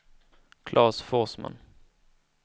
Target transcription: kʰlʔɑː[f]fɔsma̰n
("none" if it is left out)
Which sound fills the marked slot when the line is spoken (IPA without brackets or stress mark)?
s